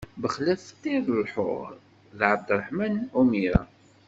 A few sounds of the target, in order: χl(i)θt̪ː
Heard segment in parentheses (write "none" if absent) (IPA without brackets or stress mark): æ